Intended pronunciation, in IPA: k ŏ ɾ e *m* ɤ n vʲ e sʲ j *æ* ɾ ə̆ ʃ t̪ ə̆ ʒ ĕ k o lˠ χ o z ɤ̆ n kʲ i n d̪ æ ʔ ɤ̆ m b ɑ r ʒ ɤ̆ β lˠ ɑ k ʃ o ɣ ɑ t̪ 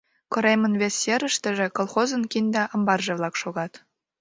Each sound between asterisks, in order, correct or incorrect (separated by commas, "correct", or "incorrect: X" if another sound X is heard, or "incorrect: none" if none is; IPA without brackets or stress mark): correct, incorrect: e